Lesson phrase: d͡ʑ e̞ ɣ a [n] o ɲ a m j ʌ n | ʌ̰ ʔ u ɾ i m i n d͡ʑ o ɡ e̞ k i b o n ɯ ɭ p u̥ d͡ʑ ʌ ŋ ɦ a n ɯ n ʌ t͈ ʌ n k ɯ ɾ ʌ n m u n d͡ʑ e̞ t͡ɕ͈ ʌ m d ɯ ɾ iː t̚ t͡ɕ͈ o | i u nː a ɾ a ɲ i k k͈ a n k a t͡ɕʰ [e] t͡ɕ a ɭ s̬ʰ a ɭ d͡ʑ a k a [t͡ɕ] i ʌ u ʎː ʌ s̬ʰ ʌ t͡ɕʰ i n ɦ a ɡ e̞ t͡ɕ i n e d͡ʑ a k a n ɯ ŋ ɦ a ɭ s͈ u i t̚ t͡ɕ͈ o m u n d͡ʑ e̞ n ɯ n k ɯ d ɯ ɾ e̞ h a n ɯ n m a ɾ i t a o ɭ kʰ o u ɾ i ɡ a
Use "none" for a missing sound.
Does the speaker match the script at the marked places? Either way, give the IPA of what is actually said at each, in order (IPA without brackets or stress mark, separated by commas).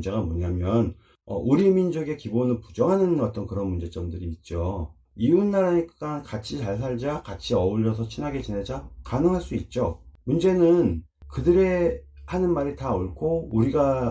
m, i, t͡ɕʰ